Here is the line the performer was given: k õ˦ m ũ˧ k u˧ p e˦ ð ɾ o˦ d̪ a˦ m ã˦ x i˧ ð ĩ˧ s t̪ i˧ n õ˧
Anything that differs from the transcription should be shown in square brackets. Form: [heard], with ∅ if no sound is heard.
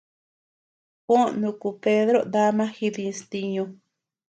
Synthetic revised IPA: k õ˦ [n] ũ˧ k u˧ p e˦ ð ɾ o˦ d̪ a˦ m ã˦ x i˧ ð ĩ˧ s t̪ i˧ [ɲ] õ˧